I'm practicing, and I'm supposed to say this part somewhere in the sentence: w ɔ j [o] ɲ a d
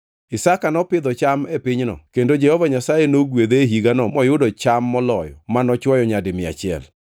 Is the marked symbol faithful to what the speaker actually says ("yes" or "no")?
no